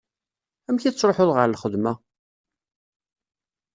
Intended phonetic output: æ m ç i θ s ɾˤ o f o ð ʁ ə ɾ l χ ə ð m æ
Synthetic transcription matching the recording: æ m ç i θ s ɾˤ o ħ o ð ʁ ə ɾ l χ ə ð m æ